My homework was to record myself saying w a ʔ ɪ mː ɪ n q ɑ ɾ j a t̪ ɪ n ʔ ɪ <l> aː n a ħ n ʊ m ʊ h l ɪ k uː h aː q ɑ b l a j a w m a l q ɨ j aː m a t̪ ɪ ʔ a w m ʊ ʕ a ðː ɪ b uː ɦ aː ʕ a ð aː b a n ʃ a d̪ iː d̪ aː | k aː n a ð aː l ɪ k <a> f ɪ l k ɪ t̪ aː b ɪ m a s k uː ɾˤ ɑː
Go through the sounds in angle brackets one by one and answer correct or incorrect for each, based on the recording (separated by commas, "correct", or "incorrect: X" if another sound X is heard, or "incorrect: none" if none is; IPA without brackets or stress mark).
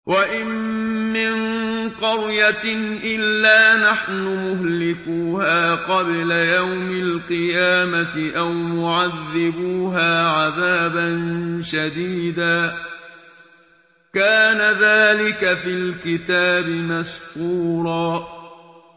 incorrect: lː, correct